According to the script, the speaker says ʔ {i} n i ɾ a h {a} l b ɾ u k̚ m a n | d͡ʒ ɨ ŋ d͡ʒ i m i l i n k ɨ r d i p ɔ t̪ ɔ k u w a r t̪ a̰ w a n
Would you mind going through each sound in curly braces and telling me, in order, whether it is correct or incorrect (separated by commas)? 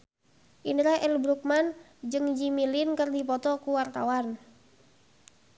correct, incorrect